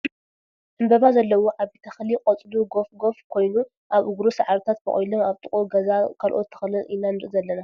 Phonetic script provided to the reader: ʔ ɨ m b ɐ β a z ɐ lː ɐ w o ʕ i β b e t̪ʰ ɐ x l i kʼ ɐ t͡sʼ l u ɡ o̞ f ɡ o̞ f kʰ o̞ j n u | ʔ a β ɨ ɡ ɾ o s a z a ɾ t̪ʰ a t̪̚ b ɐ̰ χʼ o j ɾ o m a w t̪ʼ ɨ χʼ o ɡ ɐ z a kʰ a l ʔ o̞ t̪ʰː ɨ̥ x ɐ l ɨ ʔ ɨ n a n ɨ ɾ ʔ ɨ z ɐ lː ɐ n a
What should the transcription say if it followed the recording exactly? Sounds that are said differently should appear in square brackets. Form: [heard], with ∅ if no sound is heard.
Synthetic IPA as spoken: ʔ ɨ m b ɐ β a z ɐ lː ɐ w o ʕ [a] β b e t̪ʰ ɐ x l i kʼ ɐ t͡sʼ l u ɡ o̞ f ɡ o̞ f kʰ o̞ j n u | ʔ a β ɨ ɡ ɾ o s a [ʕ] a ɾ t̪ʰ a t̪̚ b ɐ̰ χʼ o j [l] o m a [β] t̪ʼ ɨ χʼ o ɡ ɐ z a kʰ a l ʔ o̞ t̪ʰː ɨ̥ x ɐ l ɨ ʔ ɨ n a n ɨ ɾ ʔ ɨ z ɐ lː ɐ n a